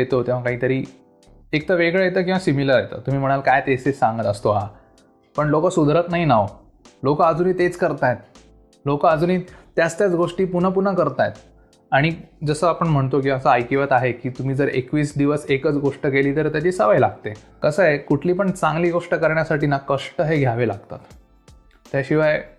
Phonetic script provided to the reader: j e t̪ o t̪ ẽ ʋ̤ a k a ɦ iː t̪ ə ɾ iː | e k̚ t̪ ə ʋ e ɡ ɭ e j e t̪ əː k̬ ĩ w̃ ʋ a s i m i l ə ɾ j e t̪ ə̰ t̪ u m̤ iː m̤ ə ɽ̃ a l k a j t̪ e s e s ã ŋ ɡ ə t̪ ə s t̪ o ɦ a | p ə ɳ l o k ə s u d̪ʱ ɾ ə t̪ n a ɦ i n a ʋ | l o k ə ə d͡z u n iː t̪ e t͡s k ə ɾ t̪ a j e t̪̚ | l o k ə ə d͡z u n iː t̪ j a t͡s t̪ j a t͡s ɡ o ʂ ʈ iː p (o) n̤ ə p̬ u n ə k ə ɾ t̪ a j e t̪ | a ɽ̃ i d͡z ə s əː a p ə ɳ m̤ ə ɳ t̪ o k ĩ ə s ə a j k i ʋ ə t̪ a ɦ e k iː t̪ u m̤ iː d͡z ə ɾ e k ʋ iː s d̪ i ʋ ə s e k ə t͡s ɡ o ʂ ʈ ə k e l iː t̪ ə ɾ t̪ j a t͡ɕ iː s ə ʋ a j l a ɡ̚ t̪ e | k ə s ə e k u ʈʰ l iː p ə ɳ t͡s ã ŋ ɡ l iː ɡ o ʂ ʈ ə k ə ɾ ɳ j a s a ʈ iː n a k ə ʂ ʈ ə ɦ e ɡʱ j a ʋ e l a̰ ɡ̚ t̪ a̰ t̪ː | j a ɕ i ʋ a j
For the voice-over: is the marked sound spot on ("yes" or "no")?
no